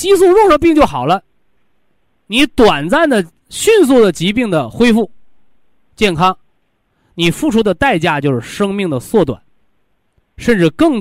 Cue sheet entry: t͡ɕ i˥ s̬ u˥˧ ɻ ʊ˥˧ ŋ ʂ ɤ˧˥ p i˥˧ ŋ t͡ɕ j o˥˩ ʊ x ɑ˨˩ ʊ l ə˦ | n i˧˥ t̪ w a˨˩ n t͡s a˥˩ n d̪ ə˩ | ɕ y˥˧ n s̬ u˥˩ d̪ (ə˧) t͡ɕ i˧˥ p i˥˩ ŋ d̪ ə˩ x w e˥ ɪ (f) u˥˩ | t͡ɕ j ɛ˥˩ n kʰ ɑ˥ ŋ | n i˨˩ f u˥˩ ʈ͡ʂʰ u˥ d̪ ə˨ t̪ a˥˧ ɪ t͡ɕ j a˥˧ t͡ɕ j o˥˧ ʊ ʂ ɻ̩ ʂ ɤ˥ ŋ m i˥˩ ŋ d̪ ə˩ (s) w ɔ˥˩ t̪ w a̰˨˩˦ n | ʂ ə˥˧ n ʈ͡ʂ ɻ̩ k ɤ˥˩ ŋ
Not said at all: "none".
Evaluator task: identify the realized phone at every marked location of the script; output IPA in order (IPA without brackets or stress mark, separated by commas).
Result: ə˩, f, s